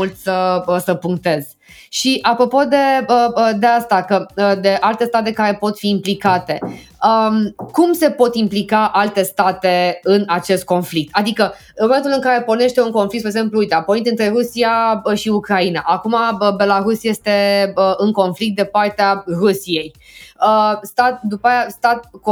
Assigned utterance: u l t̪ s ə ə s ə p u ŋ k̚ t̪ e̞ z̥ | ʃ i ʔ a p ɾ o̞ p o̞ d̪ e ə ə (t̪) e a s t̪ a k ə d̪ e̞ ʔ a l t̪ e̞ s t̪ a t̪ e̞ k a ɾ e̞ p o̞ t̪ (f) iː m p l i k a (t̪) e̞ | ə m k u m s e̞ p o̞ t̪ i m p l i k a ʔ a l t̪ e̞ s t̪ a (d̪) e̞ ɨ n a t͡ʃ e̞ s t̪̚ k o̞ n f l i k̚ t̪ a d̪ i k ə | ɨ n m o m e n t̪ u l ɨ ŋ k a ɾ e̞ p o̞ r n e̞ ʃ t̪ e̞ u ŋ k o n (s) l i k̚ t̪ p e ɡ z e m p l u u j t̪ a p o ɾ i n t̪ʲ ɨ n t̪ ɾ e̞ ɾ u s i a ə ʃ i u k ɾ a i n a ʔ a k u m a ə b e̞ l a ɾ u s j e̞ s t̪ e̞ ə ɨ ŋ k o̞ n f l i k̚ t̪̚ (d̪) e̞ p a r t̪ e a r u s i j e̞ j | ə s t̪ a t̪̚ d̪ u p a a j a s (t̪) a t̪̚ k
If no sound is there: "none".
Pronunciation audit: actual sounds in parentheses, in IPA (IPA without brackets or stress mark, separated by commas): d̪, f, t̪, t̪, f, d̪, t̪